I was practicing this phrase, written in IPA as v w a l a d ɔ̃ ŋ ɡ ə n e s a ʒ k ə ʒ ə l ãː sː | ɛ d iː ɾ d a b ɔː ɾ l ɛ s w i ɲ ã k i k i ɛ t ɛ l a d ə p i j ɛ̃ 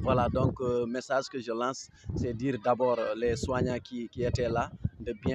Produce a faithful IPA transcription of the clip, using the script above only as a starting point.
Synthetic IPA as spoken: v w a l a d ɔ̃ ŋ k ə m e s a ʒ k ə ʒ ə l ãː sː | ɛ d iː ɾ d a b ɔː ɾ l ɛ s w a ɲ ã k i k i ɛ t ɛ l a d ə b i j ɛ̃